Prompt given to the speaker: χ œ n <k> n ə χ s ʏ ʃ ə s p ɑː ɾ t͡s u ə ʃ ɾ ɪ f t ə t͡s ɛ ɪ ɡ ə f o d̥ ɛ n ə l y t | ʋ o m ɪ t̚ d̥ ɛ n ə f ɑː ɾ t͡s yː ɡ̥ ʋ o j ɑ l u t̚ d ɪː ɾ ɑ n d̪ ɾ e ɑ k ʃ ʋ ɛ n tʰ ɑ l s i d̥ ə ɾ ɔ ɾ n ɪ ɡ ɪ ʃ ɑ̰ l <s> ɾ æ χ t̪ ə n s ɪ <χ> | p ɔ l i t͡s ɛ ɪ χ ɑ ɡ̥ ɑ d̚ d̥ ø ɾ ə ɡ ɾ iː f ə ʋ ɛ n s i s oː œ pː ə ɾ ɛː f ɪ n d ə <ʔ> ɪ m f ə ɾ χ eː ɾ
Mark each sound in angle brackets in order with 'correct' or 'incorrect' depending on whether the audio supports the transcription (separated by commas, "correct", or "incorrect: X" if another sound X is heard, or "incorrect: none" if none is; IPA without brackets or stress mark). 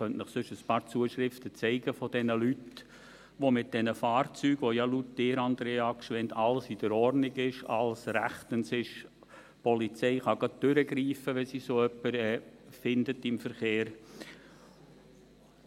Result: incorrect: t, correct, incorrect: ʃ, incorrect: t